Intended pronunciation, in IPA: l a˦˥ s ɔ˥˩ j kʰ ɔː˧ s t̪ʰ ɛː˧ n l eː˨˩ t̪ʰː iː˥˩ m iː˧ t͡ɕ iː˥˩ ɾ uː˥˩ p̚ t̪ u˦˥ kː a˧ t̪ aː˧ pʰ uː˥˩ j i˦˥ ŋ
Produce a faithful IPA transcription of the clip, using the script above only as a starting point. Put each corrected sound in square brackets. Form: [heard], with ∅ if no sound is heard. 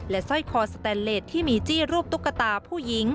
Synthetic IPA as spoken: l [ɛ˦˥] s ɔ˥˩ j kʰ ɔː˧ s [t̪] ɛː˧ n l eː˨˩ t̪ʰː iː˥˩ m iː˧ t͡ɕ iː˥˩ ɾ uː˥˩ p̚ t̪ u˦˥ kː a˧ t̪ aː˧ pʰ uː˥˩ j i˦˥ ŋ